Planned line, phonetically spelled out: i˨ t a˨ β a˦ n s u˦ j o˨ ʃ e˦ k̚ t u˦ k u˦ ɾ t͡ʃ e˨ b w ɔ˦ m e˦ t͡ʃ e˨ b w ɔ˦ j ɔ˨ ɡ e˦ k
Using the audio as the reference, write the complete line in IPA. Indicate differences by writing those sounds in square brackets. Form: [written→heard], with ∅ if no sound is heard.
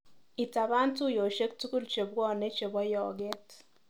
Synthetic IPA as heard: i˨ t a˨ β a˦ n [s→t] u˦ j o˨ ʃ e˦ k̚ t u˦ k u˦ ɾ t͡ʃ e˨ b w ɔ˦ [m→n] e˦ t͡ʃ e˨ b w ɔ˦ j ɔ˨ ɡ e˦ [k→t]